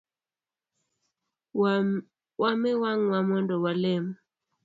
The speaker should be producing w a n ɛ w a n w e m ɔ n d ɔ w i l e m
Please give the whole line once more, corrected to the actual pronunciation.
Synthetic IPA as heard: w a m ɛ w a ŋ w a m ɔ n d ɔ w a l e m

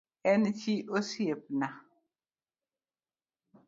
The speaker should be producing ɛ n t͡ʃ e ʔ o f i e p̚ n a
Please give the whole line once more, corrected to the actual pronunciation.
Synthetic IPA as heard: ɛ n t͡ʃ i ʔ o s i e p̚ n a

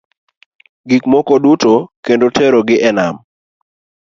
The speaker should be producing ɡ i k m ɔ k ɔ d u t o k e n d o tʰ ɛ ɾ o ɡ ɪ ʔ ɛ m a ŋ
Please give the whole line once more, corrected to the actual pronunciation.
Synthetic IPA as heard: ɡ i k m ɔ k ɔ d u t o k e n d o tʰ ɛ ɾ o ɡ ɪ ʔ ɛ n a m

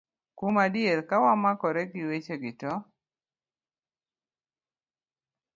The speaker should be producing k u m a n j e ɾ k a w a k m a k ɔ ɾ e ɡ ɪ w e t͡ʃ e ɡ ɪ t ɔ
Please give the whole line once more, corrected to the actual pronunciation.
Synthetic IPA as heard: k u m a d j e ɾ k a w a m a k ɔ ɾ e ɡ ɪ w e t͡ʃ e ɡ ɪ t ɔ

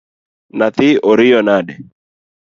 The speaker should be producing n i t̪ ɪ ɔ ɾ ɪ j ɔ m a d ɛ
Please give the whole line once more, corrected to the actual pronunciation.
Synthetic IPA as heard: n a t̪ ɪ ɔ ɾ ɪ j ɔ n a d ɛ

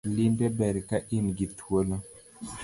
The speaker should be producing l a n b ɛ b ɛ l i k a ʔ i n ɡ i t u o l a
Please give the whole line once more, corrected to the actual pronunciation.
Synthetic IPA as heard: l i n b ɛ b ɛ ɾ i k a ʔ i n ɡ i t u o l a

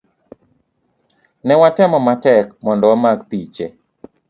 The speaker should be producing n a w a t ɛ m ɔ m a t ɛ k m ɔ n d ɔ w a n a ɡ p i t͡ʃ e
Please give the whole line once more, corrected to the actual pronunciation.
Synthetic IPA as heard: n ɛ w a t ɛ m ɔ m a t ɛ k m ɔ n d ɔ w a m a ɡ p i t͡ʃ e

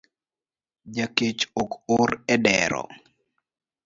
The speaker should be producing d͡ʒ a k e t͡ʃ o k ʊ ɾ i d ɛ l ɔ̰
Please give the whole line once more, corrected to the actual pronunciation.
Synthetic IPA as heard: d͡ʒ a k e t͡ʃ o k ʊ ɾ ɛ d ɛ ɾ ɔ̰

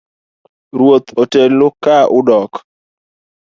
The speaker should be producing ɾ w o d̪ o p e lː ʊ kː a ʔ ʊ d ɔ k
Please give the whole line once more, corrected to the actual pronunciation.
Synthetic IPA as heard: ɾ w o t̪ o t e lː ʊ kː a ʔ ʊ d ɔ k

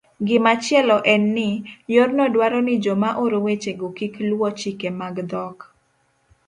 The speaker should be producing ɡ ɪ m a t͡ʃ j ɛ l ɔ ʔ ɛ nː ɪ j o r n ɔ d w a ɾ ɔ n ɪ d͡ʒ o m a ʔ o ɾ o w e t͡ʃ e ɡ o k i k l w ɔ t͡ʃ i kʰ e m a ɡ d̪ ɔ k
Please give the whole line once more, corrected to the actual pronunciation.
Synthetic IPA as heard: ɡ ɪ m a t͡ʃ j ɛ l ɔ ʔ ɛ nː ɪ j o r n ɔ d w a ɾ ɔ n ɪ d͡ʒ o m a ʔ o ɾ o w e t͡ʃ e ɡ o k i k l w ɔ t͡ʃ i k e m a ɡ d̪ ɔ k

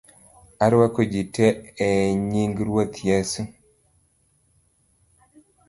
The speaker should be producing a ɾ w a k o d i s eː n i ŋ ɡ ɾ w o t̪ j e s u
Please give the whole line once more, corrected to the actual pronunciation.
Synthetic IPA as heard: a ɾ w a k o d͡ʒ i t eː ɲ i ŋ ɡ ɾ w o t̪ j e s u

